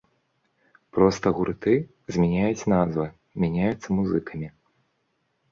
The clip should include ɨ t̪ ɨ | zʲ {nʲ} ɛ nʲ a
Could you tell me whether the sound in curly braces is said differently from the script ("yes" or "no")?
yes